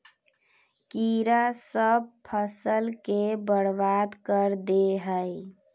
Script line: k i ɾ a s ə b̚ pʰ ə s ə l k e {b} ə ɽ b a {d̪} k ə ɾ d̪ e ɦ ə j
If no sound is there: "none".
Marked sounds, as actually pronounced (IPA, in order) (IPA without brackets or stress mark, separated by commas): b, d̪